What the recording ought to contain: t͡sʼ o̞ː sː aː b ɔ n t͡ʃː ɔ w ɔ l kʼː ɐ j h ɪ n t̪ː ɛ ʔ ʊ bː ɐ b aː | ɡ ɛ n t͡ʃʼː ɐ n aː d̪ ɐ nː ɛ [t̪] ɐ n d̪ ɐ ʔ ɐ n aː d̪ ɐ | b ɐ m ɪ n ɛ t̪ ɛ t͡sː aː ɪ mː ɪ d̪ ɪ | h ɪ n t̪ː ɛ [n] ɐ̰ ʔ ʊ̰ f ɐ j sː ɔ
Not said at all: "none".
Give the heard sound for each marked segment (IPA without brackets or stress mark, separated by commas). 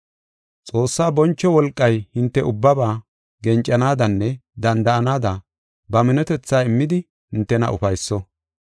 d̪, n